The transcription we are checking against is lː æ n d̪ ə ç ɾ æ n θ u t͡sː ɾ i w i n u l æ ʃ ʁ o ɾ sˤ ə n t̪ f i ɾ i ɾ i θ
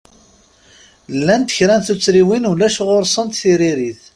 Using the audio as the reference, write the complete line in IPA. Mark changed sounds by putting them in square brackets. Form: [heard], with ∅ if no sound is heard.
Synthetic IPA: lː æ n [t̪] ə ç ɾ æ n θ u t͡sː ɾ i w i n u l æ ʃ ʁ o ɾ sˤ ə n t̪ [θ] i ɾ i ɾ i θ